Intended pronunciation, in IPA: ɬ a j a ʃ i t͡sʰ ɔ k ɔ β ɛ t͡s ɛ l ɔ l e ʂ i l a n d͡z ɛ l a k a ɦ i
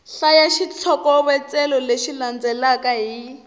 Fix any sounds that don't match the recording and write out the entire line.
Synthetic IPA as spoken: ɬ a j a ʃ i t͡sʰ ɔ k ɔ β ɛ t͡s ɛ l ɔ l e ʃ i l a n d͡z ɛ l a k a ɦ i